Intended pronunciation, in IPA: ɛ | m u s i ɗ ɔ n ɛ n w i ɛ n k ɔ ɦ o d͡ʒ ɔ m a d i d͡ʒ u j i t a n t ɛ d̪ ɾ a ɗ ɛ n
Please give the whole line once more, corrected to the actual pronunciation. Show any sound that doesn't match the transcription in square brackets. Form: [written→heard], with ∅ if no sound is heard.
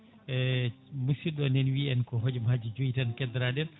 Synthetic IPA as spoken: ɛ | m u s i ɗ ɔ n ɛ n w i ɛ n k ɔ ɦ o d͡ʒ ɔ m a [d→d͡ʒ] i d͡ʒ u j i t a n [t→k] ɛ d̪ ɾ a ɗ ɛ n